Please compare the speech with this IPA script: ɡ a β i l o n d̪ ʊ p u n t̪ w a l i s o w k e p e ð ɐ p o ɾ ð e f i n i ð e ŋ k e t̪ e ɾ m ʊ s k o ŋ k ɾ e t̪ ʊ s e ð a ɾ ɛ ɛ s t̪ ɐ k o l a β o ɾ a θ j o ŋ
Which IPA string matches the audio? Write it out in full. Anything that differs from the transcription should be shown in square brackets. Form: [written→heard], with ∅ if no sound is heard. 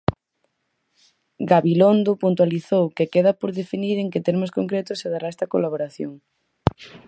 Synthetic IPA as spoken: ɡ a β i l o n d̪ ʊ p u n t̪ w a l i [s→θ] o w k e [p→k] e ð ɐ p o ɾ ð e f i n i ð e ŋ k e t̪ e ɾ m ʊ s k o ŋ k ɾ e t̪ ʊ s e ð a ɾ [ɛ→a] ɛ s t̪ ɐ k o l a β o ɾ a θ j o ŋ